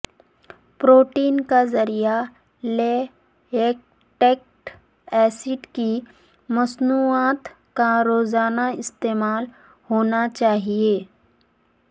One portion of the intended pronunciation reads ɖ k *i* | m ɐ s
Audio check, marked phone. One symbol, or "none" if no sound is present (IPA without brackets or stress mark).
i